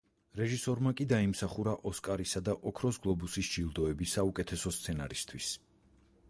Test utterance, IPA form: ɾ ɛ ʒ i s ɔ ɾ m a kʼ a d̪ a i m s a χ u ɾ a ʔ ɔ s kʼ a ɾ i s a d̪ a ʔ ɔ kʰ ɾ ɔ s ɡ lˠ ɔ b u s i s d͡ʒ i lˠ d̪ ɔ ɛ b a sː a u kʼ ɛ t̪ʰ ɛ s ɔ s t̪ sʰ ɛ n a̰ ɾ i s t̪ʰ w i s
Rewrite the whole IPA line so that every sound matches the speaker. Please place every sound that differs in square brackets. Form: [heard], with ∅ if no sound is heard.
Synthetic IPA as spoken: ɾ ɛ ʒ i s ɔ ɾ m a kʼ [i] d̪ a i m s a χ u ɾ a ʔ ɔ s kʼ a ɾ i s a d̪ a ʔ ɔ kʰ ɾ ɔ s ɡ lˠ ɔ b u s i s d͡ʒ i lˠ d̪ ɔ ɛ b [i] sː a u kʼ ɛ t̪ʰ ɛ s ɔ s t̪ sʰ ɛ n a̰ ɾ i s t̪ʰ w i s